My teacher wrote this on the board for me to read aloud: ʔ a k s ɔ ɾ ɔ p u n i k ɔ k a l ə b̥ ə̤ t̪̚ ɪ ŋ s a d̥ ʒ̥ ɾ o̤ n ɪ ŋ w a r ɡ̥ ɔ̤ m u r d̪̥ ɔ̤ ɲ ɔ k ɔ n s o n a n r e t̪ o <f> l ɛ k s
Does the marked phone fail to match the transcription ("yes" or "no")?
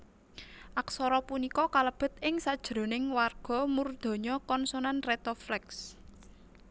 no